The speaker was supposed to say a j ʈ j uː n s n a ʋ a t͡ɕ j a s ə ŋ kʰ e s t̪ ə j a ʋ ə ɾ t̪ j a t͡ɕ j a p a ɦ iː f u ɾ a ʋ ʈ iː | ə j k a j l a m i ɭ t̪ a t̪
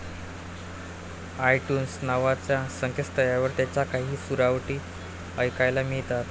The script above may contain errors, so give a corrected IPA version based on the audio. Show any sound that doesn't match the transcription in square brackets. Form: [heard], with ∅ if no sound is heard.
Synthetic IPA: a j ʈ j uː n s n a ʋ a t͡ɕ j a s ə ŋ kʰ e s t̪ ə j a ʋ ə ɾ t̪ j a t͡ɕ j a [k] a ɦ iː [s] u ɾ a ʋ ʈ iː | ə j k a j l a m i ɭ t̪ a t̪